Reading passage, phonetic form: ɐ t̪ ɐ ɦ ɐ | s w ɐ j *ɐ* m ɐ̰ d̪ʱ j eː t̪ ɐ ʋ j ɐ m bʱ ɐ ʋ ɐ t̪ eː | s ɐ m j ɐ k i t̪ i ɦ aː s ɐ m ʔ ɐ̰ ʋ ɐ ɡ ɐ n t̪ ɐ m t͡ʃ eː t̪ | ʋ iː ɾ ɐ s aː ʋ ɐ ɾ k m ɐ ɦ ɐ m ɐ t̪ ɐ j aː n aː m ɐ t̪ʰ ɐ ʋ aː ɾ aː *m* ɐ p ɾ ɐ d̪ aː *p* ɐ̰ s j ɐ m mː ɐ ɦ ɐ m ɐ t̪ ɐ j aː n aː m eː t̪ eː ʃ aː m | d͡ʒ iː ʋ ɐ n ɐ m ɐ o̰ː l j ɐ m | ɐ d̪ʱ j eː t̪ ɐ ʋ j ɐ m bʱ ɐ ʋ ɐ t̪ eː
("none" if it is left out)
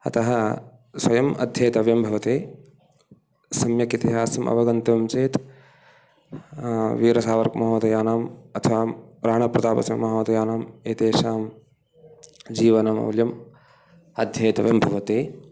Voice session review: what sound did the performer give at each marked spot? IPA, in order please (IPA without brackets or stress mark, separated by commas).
ɐ, ɳ, p